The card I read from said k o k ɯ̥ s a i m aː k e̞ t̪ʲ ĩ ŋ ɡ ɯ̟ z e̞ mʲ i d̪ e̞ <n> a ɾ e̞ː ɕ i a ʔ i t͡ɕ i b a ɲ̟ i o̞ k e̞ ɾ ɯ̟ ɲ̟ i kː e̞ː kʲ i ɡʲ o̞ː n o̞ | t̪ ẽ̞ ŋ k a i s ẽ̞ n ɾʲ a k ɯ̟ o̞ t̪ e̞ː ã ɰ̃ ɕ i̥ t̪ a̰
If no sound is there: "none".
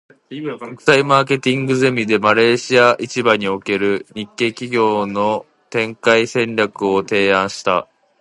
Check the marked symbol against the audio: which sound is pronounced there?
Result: m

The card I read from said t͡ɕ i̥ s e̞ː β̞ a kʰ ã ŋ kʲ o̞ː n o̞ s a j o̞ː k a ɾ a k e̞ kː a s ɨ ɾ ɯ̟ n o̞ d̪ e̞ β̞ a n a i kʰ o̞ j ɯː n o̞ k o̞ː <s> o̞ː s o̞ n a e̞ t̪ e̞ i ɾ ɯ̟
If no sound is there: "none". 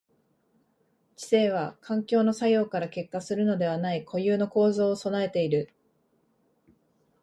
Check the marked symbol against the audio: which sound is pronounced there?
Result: z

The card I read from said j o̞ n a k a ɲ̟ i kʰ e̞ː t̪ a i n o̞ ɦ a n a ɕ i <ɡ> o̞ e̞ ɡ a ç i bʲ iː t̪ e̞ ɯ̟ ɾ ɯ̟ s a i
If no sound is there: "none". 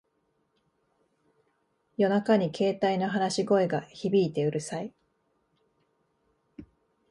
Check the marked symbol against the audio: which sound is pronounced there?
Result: ɡ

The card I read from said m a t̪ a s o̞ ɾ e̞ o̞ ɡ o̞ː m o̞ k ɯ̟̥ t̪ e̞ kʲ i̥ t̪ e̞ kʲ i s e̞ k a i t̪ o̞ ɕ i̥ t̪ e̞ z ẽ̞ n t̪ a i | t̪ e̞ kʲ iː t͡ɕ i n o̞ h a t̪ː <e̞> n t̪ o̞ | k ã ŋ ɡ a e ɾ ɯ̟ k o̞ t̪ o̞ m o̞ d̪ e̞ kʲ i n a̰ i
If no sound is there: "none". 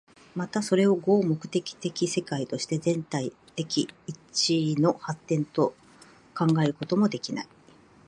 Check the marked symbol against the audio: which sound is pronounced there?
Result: ẽ̞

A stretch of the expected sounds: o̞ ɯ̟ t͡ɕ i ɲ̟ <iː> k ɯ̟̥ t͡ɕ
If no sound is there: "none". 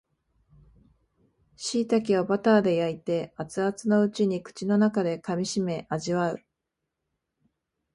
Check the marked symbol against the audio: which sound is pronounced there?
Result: i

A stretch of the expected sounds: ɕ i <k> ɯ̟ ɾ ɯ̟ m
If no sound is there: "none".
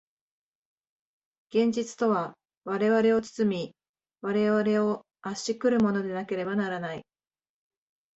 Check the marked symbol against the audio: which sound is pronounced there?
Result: k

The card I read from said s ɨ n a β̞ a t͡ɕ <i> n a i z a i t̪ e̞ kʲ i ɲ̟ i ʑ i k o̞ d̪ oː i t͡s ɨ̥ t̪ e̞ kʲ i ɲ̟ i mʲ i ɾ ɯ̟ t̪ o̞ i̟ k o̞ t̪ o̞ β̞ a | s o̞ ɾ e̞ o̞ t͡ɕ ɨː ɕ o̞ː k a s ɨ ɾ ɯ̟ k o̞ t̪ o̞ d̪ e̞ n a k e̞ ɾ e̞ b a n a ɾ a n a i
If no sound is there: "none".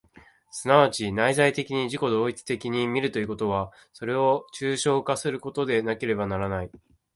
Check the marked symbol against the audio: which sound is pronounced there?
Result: i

